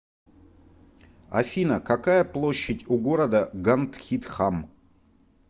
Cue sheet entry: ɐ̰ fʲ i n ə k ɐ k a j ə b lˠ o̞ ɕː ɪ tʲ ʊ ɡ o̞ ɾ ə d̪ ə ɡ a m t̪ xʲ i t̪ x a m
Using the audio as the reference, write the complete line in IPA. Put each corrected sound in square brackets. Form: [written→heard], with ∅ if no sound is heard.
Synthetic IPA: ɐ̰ fʲ i n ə k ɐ k a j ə [b→p] lˠ o̞ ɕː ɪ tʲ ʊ ɡ o̞ ɾ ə d̪ ə ɡ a [m→n] t̪ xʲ i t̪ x a m